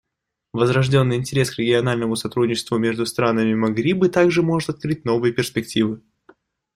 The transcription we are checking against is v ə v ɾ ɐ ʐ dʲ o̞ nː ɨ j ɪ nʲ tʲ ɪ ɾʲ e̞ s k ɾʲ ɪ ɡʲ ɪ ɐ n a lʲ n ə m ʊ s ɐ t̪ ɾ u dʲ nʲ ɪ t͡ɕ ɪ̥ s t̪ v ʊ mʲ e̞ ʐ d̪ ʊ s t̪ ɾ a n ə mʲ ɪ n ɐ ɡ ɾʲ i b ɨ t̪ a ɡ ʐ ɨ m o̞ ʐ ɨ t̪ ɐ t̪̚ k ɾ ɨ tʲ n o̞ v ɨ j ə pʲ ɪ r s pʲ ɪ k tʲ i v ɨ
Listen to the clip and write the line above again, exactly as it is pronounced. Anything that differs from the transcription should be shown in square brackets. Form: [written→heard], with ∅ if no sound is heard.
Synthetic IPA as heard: v ə [v→z] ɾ ɐ ʐ dʲ o̞ nː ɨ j ɪ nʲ tʲ ɪ ɾʲ e̞ s k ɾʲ ɪ ɡʲ ɪ ɐ n a lʲ n ə m ʊ s ɐ t̪ ɾ u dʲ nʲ ɪ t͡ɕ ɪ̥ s t̪ v ʊ mʲ e̞ ʐ d̪ ʊ s t̪ ɾ a n ə mʲ ɪ [n→m] ɐ ɡ ɾʲ i b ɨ t̪ a ɡ ʐ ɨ m o̞ ʐ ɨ t̪ ɐ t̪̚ k ɾ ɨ tʲ n o̞ v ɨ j ə pʲ ɪ r s pʲ ɪ k tʲ i v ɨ

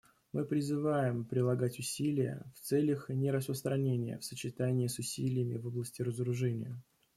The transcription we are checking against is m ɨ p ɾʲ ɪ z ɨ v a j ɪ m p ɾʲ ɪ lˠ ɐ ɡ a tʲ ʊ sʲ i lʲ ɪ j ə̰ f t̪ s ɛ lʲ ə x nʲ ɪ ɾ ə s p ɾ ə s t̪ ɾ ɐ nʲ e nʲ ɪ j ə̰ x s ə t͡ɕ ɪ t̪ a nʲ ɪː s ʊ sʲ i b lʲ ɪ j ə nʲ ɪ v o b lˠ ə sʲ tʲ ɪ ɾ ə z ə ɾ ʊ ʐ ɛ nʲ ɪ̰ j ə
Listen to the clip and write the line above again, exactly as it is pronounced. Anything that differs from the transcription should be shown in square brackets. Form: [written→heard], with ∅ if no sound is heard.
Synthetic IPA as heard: m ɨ p ɾʲ ɪ z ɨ v a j ɪ m p ɾʲ ɪ lˠ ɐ ɡ a tʲ ʊ sʲ i lʲ ɪ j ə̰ f t̪ s ɛ lʲ ə x nʲ ɪ ɾ ə s p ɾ ə s t̪ ɾ ɐ nʲ e nʲ ɪ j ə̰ [x→f] s ə t͡ɕ ɪ t̪ a nʲ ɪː s ʊ sʲ i [b→∅] lʲ ɪ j ə [nʲ→mʲ] ɪ v o b lˠ ə sʲ tʲ ɪ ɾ ə z ə ɾ ʊ ʐ ɛ nʲ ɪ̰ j ə

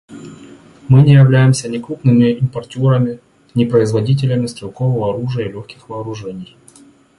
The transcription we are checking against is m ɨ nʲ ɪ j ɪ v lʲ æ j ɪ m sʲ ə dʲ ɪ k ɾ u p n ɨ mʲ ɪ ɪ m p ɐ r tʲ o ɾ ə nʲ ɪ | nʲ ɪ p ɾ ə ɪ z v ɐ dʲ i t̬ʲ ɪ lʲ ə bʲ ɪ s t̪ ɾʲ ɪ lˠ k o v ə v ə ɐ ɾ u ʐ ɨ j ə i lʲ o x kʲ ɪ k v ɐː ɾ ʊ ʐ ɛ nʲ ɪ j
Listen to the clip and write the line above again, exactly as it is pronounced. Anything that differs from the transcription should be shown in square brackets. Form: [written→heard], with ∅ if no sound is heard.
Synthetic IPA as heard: m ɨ nʲ ɪ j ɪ v lʲ æ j ɪ m sʲ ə [dʲ→nʲ] ɪ k ɾ u p n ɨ mʲ ɪ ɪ m p ɐ r tʲ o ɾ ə [nʲ→mʲ] ɪ | nʲ ɪ p ɾ ə ɪ z v ɐ dʲ i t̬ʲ ɪ lʲ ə [bʲ→mʲ] ɪ s t̪ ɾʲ ɪ lˠ k o v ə v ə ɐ ɾ u ʐ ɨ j ə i lʲ o x kʲ ɪ [k→x] v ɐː ɾ ʊ ʐ ɛ nʲ ɪ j

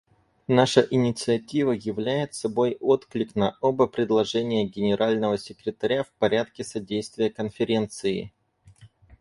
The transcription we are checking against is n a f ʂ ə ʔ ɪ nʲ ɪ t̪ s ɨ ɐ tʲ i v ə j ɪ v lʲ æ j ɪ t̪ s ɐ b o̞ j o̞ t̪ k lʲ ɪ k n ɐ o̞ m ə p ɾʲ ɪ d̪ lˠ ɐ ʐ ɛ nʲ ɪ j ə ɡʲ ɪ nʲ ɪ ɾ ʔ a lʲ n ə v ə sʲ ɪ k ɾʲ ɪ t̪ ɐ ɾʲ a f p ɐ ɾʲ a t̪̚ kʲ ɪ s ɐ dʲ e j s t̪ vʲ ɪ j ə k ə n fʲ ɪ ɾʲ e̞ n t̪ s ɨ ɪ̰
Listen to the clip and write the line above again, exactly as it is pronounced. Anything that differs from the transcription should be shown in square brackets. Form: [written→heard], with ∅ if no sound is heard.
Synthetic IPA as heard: n a [f→∅] ʂ ə ʔ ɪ nʲ ɪ t̪ s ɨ ɐ tʲ i v ə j ɪ v lʲ æ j ɪ t̪ s ɐ b o̞ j o̞ t̪ k lʲ ɪ k n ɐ o̞ [m→b] ə p ɾʲ ɪ d̪ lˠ ɐ ʐ ɛ nʲ ɪ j ə ɡʲ ɪ nʲ ɪ ɾ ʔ a lʲ n ə v ə sʲ ɪ k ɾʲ ɪ t̪ ɐ ɾʲ a f p ɐ ɾʲ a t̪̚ kʲ ɪ s ɐ dʲ e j s t̪ vʲ ɪ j ə k ə n fʲ ɪ ɾʲ e̞ n t̪ s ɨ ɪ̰

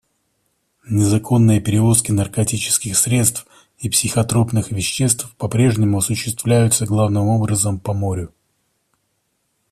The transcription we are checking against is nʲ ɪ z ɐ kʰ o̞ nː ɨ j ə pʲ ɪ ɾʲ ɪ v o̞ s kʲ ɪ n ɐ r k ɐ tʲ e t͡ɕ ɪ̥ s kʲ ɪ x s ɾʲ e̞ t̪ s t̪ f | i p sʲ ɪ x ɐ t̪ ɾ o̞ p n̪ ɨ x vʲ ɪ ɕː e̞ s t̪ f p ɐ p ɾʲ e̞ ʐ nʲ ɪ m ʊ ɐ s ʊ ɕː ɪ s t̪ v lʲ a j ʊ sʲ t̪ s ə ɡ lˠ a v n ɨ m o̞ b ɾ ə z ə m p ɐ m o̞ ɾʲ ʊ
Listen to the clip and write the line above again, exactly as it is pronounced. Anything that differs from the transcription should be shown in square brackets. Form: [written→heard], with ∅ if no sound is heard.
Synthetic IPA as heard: nʲ ɪ z ɐ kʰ o̞ nː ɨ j ə pʲ ɪ ɾʲ ɪ v o̞ s kʲ ɪ n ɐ r k ɐ tʲ [e→i] t͡ɕ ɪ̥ s kʲ ɪ x s ɾʲ e̞ t̪ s t̪ f | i p sʲ ɪ x ɐ t̪ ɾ o̞ p n̪ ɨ x vʲ ɪ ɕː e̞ s t̪ f p ɐ p ɾʲ e̞ ʐ nʲ ɪ m ʊ ɐ s ʊ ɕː ɪ s t̪ v lʲ [a→æ] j ʊ [sʲ→∅] t̪ s ə ɡ lˠ a v n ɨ m o̞ b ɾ ə z ə m p ɐ m o̞ ɾʲ ʊ

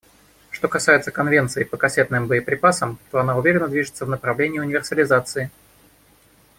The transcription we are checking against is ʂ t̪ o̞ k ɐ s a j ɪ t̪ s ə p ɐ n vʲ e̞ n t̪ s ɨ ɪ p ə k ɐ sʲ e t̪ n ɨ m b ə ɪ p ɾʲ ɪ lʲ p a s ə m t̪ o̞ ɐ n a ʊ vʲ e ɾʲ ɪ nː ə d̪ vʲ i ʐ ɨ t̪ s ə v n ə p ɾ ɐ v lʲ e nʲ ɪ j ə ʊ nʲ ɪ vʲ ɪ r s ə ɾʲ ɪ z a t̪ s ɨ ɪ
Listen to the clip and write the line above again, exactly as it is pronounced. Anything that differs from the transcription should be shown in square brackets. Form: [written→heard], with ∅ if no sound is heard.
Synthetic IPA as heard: ʂ t̪ o̞ k ɐ s a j ɪ t̪ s ə [p→k] ɐ n vʲ e̞ n t̪ s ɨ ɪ p ə k ɐ sʲ e t̪ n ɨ m b ə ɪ p ɾʲ ɪ [lʲ→∅] p a s ə m t̪ o̞ ɐ n a ʊ vʲ e ɾʲ ɪ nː ə d̪ vʲ i ʐ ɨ t̪ s ə v n ə p ɾ ɐ v lʲ e nʲ ɪ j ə ʊ nʲ ɪ vʲ ɪ r s ə [ɾʲ→lʲ] ɪ z a t̪ s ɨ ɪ

